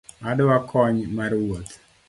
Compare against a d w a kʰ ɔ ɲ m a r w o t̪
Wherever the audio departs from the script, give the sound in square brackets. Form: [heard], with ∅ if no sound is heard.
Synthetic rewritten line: a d w a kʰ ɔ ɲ m a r w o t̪